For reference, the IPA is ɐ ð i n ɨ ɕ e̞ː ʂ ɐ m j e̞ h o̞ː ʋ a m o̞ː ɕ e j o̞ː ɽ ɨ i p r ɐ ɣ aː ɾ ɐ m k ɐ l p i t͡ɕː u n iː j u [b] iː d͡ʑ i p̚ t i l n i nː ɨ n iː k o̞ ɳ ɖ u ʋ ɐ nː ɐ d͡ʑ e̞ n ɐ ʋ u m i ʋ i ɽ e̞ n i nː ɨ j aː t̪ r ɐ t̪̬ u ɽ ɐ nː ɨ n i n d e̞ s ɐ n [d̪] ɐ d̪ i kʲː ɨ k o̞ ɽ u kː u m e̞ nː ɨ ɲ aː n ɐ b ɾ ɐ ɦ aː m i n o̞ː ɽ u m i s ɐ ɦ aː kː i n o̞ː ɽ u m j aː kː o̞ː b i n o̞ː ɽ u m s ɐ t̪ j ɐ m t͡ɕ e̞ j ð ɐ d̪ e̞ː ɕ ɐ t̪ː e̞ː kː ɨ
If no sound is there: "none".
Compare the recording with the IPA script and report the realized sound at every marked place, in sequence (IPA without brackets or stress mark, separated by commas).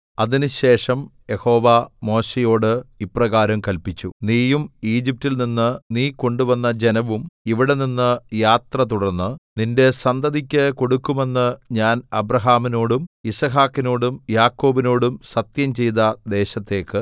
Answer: m, d̪